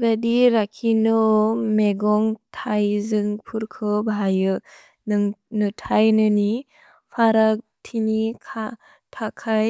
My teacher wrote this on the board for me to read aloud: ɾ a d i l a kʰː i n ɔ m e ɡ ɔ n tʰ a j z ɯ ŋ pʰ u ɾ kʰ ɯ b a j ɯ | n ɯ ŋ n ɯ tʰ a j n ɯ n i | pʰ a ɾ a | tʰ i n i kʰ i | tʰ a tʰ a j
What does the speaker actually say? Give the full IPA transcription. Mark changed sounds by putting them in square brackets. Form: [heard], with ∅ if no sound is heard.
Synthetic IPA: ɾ a d i [ɾ] a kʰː i n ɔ m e ɡ ɔ [ŋ] tʰ a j z ɯ ŋ pʰ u ɾ kʰ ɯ b a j ɯ | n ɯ ŋ n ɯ tʰ a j n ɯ n i | pʰ a ɾ a | tʰ i n i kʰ [a] | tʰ a [kʰ] a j